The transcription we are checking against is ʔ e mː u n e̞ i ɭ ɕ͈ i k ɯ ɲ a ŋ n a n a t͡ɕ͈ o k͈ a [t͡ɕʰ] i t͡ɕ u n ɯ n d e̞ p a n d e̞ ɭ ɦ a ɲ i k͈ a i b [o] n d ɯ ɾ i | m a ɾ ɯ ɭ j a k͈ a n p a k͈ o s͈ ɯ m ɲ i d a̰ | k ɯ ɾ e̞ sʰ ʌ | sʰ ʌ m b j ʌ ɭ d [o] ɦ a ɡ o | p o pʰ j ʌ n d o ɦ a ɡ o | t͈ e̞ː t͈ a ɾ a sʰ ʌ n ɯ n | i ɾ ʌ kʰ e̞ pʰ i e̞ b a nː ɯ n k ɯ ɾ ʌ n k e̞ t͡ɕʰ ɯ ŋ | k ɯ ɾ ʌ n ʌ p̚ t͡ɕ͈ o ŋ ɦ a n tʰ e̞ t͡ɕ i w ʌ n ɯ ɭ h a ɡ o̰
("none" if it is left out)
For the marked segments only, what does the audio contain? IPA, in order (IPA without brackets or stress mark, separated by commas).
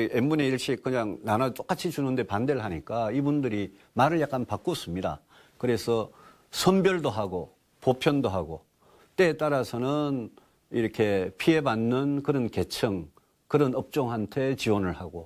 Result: t͡ɕʰ, u, o